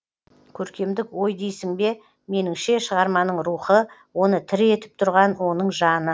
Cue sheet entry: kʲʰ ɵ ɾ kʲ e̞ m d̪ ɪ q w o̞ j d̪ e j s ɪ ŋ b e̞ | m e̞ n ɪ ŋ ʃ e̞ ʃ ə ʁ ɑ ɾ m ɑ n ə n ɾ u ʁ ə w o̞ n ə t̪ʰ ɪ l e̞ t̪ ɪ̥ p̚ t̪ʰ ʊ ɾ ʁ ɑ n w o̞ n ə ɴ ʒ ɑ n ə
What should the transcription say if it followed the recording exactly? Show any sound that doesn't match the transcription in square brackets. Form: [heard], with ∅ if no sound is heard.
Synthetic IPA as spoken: kʲʰ ɵ ɾ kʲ e̞ m d̪ ɪ [k] w o̞ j d̪ e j s ɪ ŋ b e̞ | m e̞ n ɪ ŋ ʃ e̞ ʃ ə ʁ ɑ ɾ m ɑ n ə [ɴ] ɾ u [χ] ə w o̞ n ə t̪ʰ ɪ [ɾ] e̞ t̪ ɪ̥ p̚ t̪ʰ ʊ ɾ ʁ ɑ n w o̞ n ə ɴ ʒ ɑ n ə